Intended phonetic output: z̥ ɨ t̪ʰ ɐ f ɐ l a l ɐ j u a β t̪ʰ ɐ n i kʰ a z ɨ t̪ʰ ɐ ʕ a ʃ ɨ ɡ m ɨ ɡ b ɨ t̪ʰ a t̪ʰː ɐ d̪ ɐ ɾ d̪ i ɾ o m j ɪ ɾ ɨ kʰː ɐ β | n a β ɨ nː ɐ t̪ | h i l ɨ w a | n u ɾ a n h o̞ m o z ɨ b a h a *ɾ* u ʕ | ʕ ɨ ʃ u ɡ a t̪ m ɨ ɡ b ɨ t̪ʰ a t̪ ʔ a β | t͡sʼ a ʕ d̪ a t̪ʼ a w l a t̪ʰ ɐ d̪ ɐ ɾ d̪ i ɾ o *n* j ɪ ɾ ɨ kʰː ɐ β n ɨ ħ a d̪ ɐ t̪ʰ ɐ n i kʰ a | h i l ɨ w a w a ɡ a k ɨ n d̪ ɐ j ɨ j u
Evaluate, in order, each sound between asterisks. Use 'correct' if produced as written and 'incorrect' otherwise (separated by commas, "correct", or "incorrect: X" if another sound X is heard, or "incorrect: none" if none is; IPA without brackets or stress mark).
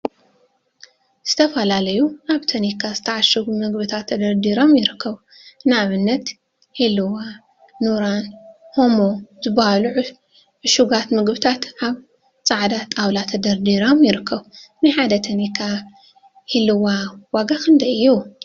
incorrect: l, incorrect: m